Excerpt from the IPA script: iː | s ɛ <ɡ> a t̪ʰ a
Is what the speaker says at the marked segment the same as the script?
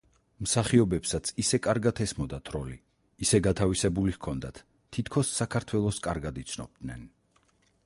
yes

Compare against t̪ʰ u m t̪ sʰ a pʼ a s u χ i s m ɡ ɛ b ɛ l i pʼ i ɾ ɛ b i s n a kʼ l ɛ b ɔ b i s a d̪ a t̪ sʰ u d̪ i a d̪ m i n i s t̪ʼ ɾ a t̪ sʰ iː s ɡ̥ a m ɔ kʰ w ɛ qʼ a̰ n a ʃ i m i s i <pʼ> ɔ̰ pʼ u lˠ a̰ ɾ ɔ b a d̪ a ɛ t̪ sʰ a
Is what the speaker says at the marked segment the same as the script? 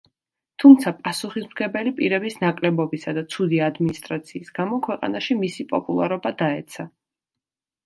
yes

